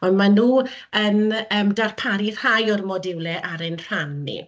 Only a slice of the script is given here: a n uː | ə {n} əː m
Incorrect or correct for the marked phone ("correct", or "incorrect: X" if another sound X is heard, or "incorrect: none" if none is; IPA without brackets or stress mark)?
correct